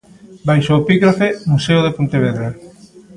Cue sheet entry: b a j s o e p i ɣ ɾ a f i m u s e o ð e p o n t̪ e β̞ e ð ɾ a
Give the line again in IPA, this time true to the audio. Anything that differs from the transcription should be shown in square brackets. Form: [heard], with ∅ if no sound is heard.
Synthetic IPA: b a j [ʃ] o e p i ɣ ɾ a f [e] m u s e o ð e p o n t̪ e β̞ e ð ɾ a